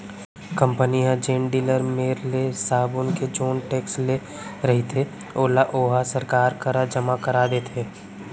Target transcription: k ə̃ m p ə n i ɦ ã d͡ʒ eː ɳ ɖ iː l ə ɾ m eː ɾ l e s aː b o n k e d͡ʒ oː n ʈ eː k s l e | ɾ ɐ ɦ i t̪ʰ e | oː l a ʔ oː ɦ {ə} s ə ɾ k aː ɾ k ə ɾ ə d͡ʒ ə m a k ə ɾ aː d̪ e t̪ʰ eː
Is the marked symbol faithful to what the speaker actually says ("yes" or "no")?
no